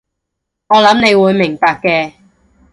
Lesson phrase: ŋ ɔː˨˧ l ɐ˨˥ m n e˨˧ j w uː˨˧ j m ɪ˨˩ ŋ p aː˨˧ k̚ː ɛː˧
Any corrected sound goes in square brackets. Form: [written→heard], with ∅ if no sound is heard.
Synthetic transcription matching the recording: ŋ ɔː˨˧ l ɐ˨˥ m n e˨˧ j w uː˨˧ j m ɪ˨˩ ŋ p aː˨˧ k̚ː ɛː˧